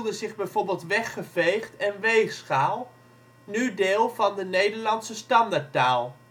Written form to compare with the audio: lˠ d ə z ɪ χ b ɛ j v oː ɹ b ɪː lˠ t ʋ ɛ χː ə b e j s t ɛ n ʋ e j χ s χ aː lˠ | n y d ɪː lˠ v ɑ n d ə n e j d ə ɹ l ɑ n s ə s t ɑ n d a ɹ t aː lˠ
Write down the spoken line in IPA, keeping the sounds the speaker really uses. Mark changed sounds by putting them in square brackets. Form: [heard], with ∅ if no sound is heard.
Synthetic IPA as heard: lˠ d ə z ɪ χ b ɛ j v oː ɹ b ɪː lˠ t ʋ ɛ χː ə [v] e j [χ] t ɛ n ʋ e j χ s χ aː lˠ | n y d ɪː lˠ v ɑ n d ə n e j d ə ɹ l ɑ n s ə s t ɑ n d a ɹ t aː lˠ